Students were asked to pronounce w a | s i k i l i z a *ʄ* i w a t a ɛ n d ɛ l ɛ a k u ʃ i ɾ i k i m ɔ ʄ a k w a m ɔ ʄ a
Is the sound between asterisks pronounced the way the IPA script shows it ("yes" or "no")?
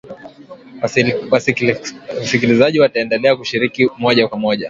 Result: yes